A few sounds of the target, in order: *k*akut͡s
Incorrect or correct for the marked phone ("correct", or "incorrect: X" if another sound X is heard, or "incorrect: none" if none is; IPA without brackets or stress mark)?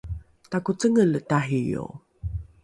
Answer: incorrect: t